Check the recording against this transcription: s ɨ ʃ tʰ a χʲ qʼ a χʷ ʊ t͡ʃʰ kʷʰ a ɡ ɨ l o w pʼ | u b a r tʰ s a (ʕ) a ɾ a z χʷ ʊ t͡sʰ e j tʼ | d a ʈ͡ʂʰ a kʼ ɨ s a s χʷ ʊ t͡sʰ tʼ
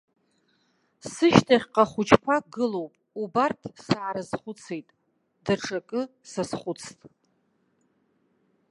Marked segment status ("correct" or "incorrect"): correct